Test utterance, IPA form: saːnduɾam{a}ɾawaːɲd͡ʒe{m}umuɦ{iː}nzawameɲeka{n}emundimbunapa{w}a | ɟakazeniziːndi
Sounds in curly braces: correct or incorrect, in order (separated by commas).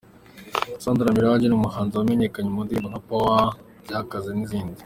incorrect, incorrect, incorrect, incorrect, correct